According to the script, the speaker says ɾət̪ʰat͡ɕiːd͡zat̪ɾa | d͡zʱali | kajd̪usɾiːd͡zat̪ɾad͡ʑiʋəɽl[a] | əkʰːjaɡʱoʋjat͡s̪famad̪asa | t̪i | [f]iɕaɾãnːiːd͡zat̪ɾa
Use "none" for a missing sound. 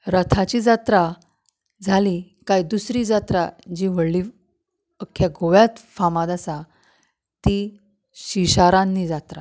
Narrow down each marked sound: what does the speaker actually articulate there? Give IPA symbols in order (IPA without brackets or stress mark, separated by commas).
i, ɕ